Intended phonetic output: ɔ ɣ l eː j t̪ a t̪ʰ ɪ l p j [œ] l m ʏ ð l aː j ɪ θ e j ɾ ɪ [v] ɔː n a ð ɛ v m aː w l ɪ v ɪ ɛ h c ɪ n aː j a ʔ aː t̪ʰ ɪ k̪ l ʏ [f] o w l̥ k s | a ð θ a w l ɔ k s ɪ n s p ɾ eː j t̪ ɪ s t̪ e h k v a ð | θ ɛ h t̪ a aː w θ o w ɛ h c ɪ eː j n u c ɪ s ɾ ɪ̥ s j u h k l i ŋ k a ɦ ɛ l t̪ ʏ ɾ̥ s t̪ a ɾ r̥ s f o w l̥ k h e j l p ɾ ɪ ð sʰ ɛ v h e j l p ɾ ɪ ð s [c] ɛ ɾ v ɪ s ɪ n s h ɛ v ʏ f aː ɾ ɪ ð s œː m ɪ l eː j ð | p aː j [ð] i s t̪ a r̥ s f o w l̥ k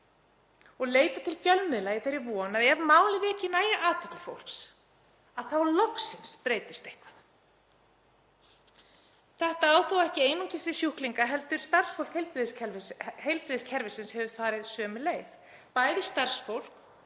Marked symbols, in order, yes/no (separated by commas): yes, yes, yes, no, yes